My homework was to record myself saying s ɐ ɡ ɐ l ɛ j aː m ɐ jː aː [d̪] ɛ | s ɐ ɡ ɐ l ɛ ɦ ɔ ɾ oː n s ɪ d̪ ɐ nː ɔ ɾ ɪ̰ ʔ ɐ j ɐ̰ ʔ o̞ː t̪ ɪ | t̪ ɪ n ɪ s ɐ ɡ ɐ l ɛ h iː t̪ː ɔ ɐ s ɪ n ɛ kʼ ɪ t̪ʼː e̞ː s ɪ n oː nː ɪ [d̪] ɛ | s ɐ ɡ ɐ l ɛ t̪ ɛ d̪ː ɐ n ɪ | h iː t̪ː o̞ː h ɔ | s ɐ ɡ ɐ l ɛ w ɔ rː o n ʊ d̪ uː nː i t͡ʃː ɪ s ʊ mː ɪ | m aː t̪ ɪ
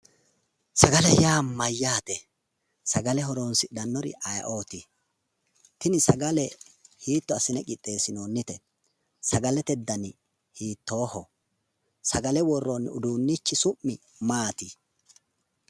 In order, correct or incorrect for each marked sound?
incorrect: t̪, incorrect: t̪

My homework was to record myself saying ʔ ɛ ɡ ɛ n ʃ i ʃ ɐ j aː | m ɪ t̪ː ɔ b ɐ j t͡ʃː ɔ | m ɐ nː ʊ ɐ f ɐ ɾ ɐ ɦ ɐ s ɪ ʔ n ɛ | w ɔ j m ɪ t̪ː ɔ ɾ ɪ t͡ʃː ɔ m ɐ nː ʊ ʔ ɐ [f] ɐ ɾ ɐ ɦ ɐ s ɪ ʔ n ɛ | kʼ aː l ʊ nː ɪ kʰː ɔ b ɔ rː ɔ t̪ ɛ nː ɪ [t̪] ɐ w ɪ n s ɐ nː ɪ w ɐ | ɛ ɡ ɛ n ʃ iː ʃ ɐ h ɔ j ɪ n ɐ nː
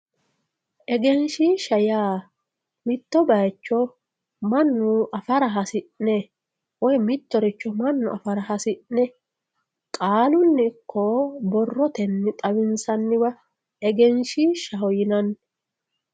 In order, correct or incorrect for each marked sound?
correct, incorrect: t̪ʼ

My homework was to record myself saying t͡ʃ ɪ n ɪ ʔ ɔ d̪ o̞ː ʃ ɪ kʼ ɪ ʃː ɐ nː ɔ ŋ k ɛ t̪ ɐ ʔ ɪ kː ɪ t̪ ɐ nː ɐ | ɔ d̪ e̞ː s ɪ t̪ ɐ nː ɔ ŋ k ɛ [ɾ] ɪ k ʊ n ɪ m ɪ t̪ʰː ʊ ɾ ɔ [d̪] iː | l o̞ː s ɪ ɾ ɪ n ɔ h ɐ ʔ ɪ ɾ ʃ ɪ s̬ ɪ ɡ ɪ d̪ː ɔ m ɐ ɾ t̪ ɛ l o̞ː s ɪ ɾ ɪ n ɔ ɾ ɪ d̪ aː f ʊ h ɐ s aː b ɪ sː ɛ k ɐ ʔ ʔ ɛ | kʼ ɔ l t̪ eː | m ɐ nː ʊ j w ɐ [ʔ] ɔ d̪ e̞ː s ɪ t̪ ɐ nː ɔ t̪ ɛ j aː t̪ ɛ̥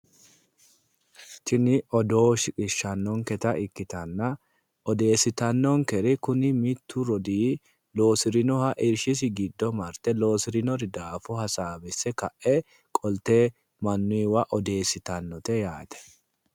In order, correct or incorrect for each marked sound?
correct, correct, correct

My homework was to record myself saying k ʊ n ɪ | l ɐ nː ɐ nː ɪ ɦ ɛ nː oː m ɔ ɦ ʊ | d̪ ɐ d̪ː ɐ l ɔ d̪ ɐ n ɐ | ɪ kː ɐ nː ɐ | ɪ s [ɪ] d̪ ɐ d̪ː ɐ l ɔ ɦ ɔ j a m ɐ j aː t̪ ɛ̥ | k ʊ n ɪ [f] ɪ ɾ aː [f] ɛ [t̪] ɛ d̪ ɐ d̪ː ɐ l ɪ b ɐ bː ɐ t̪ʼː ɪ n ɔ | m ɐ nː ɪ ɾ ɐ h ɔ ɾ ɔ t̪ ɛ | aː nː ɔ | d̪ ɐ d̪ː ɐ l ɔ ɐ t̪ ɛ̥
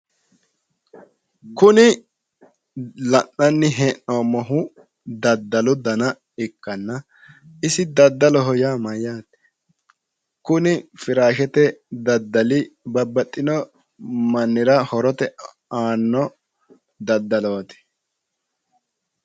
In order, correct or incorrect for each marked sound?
correct, correct, incorrect: ʃ, correct

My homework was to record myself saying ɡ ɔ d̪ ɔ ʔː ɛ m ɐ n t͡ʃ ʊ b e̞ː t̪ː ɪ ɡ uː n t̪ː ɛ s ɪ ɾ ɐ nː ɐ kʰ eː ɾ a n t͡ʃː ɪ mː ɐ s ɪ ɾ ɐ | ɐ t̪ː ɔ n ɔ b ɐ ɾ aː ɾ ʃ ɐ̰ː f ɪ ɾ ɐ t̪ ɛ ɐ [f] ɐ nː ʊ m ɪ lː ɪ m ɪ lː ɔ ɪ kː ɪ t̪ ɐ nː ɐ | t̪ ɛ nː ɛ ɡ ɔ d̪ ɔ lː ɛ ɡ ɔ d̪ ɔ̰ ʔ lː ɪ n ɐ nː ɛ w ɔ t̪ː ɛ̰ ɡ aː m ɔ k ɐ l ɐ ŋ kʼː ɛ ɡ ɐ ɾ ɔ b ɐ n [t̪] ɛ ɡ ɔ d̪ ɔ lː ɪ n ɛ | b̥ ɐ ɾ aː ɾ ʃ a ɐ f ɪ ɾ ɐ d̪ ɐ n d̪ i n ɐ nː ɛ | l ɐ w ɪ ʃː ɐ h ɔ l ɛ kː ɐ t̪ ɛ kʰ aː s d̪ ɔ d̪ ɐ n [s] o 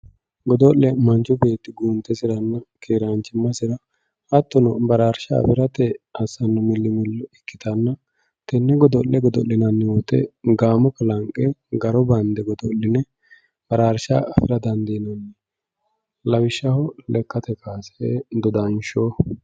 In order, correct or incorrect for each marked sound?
incorrect: s, incorrect: d̪, incorrect: ʃ

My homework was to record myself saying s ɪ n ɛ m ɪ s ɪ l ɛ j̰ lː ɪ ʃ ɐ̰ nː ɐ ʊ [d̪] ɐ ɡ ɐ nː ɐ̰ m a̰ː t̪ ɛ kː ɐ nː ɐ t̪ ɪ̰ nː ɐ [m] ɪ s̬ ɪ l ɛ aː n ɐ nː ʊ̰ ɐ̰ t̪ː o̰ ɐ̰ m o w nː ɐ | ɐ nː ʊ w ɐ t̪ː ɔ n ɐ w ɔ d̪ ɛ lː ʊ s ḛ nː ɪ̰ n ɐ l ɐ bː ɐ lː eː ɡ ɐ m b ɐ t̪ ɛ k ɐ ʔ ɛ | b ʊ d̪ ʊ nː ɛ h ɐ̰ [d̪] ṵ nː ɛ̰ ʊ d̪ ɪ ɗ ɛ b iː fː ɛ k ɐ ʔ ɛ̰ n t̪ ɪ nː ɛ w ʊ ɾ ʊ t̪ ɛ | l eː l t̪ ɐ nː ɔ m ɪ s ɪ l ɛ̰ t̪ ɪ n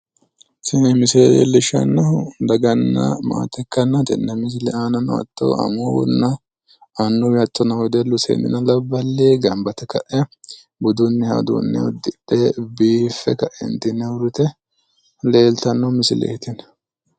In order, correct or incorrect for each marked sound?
correct, correct, correct

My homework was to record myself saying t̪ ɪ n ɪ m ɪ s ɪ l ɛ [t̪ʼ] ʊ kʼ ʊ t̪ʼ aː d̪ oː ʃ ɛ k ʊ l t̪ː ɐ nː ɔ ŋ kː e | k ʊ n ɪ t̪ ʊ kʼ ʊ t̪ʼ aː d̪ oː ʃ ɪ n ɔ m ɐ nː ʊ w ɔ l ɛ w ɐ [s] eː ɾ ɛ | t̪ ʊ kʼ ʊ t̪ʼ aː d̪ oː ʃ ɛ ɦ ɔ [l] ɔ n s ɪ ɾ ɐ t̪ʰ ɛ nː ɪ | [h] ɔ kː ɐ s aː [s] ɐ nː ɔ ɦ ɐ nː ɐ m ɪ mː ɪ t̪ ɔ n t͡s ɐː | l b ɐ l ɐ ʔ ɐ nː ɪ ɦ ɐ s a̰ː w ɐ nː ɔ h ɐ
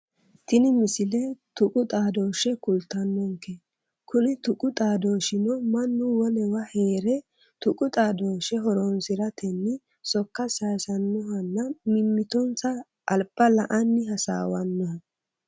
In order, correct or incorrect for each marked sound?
incorrect: t̪, incorrect: h, incorrect: ɾ, incorrect: s, correct

